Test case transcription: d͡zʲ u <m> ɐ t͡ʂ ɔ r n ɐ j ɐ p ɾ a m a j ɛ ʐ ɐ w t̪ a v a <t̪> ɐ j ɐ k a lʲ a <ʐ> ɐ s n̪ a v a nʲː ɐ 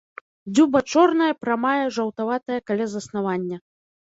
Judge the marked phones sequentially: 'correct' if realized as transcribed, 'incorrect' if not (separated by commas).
incorrect, correct, incorrect